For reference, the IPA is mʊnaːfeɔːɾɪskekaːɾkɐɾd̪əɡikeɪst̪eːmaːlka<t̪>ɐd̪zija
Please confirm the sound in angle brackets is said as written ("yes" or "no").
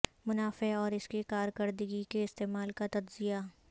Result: yes